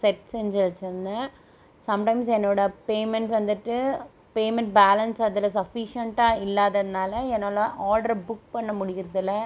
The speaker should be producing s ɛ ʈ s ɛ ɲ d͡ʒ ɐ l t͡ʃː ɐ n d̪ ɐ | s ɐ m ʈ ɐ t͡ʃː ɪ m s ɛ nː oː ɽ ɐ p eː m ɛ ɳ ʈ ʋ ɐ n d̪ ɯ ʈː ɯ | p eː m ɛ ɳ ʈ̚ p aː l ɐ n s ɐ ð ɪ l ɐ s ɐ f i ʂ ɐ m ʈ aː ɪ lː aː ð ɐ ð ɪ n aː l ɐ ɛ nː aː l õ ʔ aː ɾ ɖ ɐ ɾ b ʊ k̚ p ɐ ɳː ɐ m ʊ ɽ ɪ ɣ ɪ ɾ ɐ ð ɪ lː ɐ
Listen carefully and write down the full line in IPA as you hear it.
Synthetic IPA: s ɛ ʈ s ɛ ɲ d͡ʒ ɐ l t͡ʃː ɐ n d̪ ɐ | s ɐ m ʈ ɐ ɪ m s ɛ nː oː ɽ ɐ p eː m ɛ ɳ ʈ ʋ ɐ n d̪ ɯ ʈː ɯ | p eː m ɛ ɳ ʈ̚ b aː l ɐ n s ɐ ð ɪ l ɐ s ɐ f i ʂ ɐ ɳ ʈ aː ɪ lː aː ð ɐ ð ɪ n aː l ɐ ɛ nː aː l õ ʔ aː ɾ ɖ ɐ ɾ b ʊ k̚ p ɐ ɳː ɐ m ʊ ɽ ɪ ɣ ɪ ɾ ɐ ð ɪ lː ɐ